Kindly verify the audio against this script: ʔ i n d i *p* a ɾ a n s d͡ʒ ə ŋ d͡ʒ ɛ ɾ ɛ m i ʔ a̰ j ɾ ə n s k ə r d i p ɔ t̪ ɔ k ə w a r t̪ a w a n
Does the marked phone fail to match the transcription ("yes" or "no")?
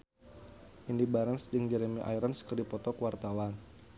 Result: yes